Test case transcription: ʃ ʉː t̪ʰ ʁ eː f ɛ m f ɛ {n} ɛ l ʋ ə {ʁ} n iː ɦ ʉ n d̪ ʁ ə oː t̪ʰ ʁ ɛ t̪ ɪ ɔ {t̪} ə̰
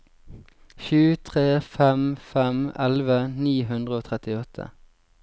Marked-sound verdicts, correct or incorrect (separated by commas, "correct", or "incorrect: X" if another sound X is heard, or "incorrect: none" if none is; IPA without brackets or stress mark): incorrect: m, incorrect: none, incorrect: t̪ʰ